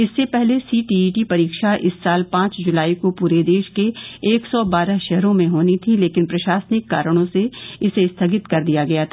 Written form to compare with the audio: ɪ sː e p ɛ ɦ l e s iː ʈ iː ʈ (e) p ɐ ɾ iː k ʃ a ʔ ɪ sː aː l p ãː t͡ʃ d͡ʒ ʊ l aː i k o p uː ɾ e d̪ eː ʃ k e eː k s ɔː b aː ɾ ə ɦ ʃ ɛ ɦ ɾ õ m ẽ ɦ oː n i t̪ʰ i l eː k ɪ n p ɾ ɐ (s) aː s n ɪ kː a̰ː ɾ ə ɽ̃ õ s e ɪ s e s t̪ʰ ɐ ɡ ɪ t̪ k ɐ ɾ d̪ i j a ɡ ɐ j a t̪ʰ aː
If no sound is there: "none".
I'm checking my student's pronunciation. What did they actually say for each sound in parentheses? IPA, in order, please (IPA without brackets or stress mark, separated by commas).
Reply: i, ʃ